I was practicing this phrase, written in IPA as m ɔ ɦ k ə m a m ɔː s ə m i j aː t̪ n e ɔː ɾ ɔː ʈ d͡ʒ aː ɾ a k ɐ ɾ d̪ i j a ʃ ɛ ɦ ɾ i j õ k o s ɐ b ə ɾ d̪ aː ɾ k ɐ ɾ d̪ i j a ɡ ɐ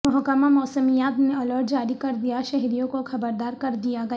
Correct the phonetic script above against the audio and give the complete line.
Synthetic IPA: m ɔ ɦ k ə m a m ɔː s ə m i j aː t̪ n e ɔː l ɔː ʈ d͡ʒ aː ɾ i k ɐ ɾ d̪ i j a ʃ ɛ ɦ ɾ i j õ k o x ɐ b ə ɾ d̪ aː ɾ k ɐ ɾ d̪ i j a ɡ ɐ